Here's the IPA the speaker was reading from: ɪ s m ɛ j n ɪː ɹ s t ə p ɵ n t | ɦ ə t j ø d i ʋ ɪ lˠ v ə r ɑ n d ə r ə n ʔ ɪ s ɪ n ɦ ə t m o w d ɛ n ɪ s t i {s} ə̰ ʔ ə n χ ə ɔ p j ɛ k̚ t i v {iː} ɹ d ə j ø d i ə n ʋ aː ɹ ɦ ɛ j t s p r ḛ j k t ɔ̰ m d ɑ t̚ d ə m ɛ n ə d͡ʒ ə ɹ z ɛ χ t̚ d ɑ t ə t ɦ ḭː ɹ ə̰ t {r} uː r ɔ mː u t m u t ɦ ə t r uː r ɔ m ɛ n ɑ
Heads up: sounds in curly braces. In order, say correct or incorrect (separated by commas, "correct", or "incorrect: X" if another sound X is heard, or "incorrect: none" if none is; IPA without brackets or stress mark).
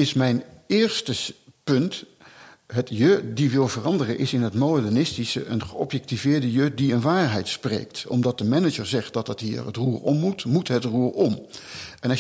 correct, incorrect: ɪː, correct